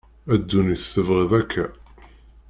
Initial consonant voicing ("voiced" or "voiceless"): voiced